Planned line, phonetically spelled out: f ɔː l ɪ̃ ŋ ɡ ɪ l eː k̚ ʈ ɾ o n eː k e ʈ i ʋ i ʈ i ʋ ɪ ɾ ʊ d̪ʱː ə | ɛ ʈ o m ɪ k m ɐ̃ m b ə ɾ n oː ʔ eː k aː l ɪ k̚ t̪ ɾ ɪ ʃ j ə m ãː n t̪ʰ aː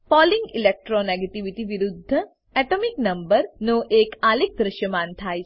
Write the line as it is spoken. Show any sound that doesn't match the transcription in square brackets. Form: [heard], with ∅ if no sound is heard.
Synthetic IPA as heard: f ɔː l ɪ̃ ŋ ɡ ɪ l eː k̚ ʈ ɾ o n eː [ɡ] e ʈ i ʋ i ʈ i ʋ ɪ ɾ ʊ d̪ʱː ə | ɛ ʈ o m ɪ k [n] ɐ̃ m b ə ɾ n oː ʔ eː k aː l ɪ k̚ [d̪] ɾ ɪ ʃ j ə m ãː n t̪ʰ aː